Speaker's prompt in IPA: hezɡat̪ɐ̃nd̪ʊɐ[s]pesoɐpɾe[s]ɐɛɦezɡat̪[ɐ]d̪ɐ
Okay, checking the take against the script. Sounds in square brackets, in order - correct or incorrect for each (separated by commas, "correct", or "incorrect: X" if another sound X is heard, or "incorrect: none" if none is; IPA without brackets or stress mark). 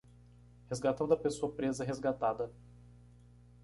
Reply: incorrect: none, incorrect: z, incorrect: a